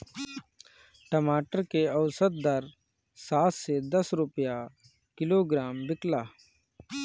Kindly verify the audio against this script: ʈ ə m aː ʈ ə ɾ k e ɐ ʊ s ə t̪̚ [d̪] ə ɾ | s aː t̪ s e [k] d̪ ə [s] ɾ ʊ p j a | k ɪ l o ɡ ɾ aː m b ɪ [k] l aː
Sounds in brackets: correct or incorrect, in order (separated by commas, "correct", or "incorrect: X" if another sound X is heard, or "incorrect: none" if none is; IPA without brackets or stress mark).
correct, incorrect: none, correct, correct